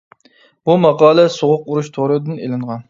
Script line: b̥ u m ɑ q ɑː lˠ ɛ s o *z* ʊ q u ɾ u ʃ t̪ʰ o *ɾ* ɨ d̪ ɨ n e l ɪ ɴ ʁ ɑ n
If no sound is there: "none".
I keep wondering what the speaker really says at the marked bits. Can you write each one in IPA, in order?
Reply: ʁ, ɾ

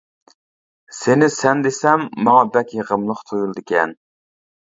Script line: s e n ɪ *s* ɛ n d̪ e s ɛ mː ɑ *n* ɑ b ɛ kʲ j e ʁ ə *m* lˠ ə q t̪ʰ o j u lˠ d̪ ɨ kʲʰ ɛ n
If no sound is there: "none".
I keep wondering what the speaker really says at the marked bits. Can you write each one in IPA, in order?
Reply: s, ŋ, m

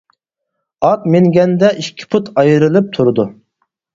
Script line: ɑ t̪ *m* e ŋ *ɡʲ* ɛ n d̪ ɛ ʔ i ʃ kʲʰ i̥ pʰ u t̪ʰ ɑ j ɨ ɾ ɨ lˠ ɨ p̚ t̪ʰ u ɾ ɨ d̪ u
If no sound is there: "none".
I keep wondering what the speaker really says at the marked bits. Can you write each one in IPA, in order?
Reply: m, ɡʲ

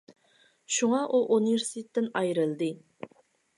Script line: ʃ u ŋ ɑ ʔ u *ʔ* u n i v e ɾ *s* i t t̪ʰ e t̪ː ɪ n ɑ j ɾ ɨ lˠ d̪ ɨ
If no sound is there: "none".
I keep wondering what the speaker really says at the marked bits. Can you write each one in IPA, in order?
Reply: ʔ, s

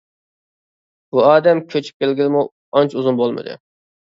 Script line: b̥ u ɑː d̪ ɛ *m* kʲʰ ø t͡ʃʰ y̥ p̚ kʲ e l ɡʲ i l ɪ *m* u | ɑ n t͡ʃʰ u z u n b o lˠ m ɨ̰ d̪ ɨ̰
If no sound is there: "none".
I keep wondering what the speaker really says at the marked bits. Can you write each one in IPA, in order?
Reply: m, m

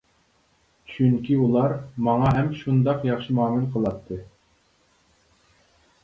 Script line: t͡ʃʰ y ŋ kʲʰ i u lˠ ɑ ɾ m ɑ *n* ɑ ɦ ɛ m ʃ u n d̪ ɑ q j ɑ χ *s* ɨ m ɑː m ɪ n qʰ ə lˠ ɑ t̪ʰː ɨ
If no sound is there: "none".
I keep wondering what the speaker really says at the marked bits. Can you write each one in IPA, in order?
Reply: ŋ, ʃ

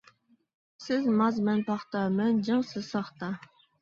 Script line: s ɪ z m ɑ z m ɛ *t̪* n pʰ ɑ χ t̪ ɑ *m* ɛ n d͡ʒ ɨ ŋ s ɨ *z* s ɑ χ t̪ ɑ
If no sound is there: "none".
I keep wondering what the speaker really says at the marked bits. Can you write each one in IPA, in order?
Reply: none, m, z

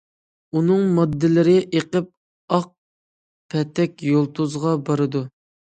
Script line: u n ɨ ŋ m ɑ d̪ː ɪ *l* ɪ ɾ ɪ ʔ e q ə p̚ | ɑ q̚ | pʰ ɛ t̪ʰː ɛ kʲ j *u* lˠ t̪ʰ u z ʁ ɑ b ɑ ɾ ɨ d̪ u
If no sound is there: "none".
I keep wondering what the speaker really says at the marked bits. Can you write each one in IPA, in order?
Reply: l, o

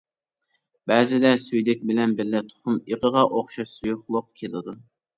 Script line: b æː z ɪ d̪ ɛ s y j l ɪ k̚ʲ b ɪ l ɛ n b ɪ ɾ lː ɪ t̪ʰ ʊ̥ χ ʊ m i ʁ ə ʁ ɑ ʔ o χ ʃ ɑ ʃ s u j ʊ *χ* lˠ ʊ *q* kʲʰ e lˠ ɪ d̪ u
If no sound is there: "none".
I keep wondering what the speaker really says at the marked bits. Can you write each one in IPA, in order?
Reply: χ, q

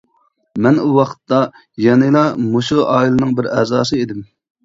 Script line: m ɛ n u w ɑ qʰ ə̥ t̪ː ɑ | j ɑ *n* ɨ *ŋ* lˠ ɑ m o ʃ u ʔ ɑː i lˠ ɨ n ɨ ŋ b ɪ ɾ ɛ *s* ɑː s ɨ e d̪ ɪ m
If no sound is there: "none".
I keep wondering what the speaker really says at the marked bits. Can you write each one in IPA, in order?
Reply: n, none, z

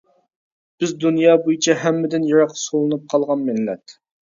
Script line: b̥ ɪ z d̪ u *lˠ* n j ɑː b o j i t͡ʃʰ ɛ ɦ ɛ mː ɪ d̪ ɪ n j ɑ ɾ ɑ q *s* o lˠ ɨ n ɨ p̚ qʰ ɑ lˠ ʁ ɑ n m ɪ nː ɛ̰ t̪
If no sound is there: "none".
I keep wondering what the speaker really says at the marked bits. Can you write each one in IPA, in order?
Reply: none, s

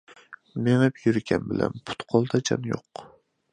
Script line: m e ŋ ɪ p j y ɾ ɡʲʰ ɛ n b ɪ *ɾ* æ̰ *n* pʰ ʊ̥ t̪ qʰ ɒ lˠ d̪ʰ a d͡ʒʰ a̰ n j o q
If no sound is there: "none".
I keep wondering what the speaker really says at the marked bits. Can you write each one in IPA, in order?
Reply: l, n

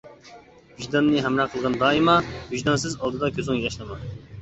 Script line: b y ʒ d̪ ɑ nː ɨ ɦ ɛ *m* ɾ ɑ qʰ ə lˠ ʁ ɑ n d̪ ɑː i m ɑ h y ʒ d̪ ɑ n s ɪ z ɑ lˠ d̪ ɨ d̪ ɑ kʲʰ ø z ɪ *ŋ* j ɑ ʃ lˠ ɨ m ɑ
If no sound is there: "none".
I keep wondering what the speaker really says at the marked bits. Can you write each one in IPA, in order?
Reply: m, ŋ

